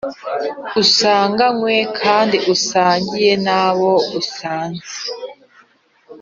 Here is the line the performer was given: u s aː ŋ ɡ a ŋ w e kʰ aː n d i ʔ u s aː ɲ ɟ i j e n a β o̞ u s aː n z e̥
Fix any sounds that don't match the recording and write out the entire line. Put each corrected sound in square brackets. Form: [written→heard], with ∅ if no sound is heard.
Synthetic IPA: u s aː ŋ ɡ a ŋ w e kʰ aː n d i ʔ u s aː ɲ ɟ i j e n a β o̞ u s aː n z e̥